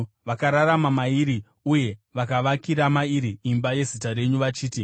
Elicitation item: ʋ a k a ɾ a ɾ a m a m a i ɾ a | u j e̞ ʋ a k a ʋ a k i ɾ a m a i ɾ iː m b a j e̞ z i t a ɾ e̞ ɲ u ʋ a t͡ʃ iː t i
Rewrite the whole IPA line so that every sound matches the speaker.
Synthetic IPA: ʋ a k a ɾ a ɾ a m a m a i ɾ i | u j e̞ ʋ a k a ʋ a k i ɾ a m a i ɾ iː m b a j e̞ z i t a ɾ e̞ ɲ u ʋ a t͡ʃ iː t i